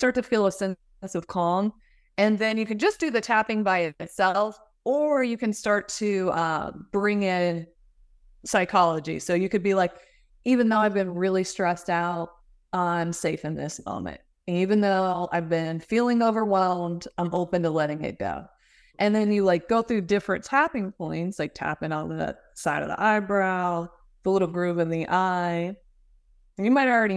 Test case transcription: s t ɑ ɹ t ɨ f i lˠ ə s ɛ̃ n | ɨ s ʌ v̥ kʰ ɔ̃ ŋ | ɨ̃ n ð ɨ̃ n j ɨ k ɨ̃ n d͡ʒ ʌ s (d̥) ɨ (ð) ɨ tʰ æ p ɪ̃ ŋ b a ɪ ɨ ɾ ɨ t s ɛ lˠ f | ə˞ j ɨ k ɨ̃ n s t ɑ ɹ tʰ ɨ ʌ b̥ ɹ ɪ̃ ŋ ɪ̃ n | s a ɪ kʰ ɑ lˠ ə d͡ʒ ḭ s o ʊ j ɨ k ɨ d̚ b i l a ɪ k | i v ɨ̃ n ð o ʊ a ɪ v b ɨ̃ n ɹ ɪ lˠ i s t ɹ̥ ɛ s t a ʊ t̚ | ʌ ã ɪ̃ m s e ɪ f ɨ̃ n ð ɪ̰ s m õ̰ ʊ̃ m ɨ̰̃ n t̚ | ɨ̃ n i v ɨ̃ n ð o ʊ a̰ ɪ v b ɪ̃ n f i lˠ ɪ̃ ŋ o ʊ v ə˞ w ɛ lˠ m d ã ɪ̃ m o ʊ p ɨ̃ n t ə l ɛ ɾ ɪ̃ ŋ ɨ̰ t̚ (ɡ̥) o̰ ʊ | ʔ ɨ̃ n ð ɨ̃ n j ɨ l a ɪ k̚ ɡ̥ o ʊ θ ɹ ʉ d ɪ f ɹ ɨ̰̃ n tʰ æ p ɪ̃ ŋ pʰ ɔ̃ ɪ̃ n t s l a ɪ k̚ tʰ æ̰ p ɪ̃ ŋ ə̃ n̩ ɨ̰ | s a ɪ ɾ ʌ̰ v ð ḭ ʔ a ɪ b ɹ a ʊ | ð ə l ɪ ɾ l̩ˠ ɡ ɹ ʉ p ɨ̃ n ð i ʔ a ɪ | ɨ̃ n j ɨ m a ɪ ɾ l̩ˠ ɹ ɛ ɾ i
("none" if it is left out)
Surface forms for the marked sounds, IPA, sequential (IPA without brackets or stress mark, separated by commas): d̥, ð, ɡ̥